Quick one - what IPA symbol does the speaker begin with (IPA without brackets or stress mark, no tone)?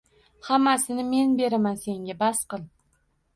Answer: h